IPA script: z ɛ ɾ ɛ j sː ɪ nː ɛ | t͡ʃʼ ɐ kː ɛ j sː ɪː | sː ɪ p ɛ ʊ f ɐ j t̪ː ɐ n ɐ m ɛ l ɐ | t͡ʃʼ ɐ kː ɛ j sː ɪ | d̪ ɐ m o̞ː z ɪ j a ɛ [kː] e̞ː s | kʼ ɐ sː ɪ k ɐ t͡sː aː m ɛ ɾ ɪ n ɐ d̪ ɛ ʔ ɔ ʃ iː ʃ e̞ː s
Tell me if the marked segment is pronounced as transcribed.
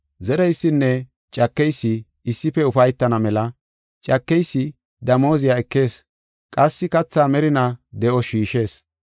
yes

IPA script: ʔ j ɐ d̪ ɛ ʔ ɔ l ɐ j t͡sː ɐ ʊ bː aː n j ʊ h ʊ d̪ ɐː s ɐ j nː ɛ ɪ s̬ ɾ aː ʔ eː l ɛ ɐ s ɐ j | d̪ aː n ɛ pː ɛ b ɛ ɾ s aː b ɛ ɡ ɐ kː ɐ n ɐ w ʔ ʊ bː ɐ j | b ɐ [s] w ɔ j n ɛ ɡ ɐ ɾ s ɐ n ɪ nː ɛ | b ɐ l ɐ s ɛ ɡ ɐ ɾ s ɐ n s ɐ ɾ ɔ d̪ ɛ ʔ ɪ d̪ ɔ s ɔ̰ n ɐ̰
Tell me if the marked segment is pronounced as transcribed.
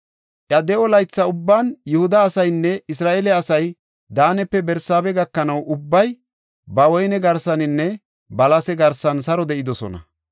no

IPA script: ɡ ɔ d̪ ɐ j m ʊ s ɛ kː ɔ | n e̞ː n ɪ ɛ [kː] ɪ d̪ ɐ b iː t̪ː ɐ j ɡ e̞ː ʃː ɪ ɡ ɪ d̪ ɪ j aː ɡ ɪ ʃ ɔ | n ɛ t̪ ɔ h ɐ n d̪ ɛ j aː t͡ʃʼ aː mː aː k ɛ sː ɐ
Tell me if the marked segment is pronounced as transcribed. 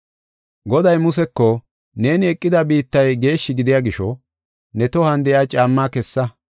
no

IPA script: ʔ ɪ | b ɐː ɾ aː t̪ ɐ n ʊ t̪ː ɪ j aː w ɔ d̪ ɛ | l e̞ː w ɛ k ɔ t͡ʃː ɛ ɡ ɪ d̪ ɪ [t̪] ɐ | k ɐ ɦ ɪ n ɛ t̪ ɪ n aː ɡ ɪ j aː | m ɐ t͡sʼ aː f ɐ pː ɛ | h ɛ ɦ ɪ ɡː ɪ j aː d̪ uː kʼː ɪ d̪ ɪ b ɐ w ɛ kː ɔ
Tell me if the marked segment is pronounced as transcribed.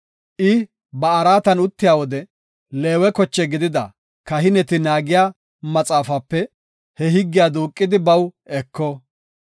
no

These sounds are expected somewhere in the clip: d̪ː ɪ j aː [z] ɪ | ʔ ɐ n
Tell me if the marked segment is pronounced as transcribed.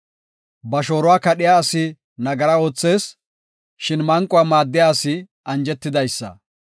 no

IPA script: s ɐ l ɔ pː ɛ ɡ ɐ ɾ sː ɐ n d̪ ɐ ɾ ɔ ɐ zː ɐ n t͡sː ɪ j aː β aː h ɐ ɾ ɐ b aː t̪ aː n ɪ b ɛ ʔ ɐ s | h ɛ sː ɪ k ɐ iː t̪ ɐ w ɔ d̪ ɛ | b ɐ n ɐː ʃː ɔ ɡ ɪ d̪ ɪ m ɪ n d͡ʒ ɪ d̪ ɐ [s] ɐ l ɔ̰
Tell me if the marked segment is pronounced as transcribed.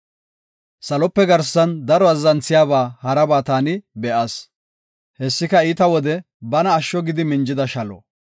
no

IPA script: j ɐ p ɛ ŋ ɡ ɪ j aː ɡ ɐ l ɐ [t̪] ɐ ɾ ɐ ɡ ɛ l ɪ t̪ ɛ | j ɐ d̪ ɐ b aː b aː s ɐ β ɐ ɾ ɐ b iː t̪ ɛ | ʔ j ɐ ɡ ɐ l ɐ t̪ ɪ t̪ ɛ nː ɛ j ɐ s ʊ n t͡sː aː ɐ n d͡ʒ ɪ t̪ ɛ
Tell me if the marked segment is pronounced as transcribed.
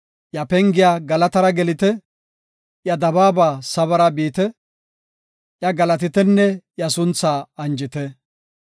yes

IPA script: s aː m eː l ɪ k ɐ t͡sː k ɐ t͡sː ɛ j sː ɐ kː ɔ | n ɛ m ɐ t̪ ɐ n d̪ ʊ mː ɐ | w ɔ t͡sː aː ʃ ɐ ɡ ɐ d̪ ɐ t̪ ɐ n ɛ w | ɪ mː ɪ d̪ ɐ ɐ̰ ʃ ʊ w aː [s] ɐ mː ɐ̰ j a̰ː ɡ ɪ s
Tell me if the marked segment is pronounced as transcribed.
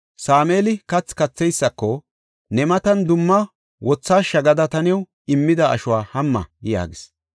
no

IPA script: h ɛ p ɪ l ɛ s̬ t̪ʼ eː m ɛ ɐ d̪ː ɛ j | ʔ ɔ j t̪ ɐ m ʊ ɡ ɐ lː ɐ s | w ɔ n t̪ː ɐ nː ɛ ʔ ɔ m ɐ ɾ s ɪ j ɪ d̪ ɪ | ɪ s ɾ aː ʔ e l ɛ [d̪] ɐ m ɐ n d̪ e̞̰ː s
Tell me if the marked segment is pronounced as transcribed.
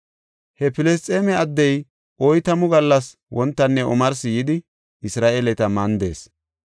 no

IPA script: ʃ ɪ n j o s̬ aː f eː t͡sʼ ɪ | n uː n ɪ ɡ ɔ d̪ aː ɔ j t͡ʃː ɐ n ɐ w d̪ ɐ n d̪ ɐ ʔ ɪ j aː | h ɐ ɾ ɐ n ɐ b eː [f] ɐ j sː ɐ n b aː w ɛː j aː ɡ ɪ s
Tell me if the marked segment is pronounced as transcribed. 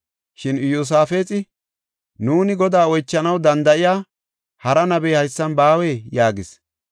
no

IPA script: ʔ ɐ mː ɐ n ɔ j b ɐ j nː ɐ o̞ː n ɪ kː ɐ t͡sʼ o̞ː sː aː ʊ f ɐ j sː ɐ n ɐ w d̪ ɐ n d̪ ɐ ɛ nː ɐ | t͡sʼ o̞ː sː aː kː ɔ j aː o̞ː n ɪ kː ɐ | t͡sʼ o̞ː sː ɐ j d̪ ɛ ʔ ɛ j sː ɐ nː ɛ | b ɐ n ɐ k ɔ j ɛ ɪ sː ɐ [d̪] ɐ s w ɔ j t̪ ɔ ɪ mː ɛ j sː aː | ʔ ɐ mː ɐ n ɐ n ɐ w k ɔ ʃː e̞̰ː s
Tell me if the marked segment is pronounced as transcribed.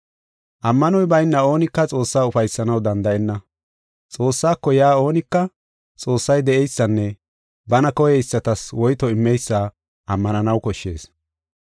no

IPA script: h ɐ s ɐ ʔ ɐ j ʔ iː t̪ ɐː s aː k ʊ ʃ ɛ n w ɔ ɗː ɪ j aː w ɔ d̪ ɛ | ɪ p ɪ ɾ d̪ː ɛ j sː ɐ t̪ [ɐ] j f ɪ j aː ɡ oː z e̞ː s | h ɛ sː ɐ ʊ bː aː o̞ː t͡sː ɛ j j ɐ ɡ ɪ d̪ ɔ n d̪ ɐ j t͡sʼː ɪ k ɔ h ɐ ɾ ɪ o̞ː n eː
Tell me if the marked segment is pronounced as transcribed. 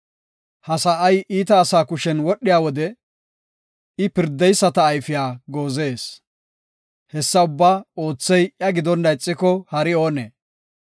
no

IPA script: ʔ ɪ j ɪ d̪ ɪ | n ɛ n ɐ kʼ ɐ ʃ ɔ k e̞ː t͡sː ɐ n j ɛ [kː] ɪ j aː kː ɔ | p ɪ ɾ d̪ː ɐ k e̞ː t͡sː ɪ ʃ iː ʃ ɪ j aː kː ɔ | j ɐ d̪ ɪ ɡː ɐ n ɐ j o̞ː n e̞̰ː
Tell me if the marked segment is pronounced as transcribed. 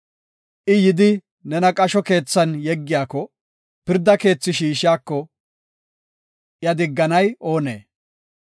no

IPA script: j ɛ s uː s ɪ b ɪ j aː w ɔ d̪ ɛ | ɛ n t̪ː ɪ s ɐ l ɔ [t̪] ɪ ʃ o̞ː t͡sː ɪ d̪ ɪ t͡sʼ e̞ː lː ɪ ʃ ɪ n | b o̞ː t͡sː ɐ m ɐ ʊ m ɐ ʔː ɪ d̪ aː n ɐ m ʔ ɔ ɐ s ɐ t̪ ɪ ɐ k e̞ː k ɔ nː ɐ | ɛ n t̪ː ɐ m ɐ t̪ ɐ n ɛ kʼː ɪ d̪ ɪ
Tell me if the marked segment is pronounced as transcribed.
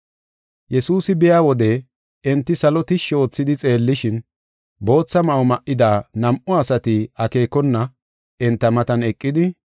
yes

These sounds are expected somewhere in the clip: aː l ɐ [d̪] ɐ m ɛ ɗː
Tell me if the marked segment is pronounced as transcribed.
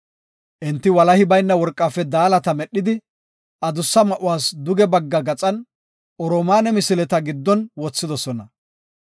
no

